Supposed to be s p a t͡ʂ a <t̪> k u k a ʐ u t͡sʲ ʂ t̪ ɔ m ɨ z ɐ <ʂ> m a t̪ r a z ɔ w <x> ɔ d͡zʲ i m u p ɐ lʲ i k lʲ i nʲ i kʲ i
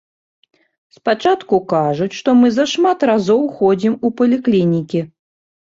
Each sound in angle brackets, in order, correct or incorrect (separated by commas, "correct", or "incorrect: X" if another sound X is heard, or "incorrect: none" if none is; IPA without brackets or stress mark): correct, correct, correct